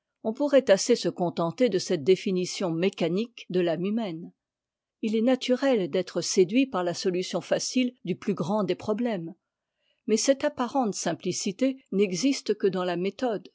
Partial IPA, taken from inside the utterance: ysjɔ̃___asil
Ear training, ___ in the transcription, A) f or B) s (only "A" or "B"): A